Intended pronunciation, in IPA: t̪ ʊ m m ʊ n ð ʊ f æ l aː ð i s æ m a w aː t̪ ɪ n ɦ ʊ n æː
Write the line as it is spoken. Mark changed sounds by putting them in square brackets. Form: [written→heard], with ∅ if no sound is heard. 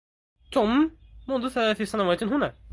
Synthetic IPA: t̪ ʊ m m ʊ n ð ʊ [f→θ] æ l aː [ð→θ] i s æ [m→n] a w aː t̪ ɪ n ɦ ʊ n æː

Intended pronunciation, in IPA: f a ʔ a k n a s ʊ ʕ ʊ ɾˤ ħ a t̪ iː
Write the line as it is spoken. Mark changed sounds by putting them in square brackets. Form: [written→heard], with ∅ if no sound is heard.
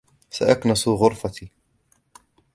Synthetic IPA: [f→s] a ʔ a k n a s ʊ [ʕ→ɣ] ʊ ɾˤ [ħ→f] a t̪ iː

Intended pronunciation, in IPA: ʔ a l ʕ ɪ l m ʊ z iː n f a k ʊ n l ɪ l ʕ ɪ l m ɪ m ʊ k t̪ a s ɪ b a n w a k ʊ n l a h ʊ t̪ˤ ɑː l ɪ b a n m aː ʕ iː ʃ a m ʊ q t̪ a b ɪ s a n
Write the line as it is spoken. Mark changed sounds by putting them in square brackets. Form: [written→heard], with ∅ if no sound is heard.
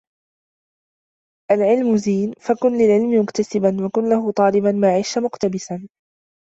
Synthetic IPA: ʔ a l ʕ ɪ l m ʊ z iː n f a k ʊ n l ɪ l ʕ ɪ l m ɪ m ʊ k t̪ a s ɪ b a n w a k ʊ n l a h ʊ t̪ˤ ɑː l ɪ b a n m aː ʕ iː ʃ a m ʊ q t̪ a b ɪ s a n

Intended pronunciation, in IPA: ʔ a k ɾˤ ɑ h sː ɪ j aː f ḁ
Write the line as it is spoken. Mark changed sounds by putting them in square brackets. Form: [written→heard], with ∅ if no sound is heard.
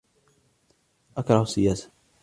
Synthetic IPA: ʔ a k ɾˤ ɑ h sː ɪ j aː [f→s] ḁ

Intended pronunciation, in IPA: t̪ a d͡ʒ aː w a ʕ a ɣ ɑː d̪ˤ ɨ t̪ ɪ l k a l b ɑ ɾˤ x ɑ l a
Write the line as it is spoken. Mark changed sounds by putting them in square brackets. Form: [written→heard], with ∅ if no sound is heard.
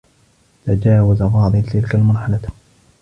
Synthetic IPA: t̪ a d͡ʒ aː w a [ʕ→z] a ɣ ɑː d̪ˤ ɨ t̪ ɪ l k a l [b→m] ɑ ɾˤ [x→ħ] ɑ l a

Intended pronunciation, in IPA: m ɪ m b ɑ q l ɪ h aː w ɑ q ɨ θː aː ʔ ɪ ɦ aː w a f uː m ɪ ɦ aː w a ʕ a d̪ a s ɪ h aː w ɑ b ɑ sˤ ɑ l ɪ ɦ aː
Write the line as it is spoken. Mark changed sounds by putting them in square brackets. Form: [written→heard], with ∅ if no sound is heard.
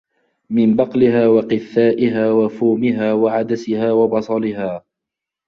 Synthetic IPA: m ɪ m b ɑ q l ɪ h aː w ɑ q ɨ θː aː ʔ ɪ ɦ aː w a f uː m ɪ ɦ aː w a ʕ a d̪ a s ɪ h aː w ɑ b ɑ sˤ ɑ l ɪ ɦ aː

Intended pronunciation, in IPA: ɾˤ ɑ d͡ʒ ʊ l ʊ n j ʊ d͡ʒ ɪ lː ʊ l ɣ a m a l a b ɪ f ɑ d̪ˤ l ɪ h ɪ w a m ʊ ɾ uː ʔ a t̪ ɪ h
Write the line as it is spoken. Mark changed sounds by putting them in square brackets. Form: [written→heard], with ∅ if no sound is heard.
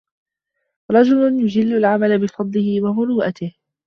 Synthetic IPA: ɾˤ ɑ d͡ʒ ʊ l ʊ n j ʊ d͡ʒ ɪ lː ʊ l [ɣ→ʕ] a m a l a b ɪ f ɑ d̪ˤ l ɪ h ɪ w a m ʊ ɾ uː ʔ a t̪ ɪ h

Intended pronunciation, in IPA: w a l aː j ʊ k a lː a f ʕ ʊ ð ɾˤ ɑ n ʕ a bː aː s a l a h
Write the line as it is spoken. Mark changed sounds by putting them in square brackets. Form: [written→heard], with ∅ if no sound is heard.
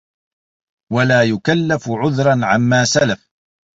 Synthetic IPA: w a l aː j ʊ k a lː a f ʕ ʊ ð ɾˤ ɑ n ʕ a [bː→mː] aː s a l a [h→f]

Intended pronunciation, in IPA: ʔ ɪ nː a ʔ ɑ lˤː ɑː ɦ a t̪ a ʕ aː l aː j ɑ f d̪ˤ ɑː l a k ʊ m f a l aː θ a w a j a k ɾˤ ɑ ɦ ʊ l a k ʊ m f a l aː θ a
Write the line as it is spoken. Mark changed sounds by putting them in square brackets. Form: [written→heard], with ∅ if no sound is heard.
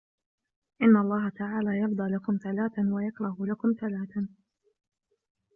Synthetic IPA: ʔ ɪ nː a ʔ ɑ lˤː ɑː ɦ a t̪ a ʕ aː l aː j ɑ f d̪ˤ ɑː l a k ʊ m [f→θ] a l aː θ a w a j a k ɾˤ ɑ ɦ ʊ l a k ʊ m [f→θ] a l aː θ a

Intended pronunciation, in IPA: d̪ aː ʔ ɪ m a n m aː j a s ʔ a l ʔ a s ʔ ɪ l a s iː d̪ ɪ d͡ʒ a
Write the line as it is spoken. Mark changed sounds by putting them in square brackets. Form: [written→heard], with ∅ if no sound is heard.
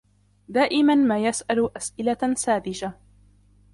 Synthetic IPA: d̪ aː ʔ ɪ m a n m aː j a s ʔ a l ʔ a s ʔ ɪ l a s [iː→aː] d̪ ɪ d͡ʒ a

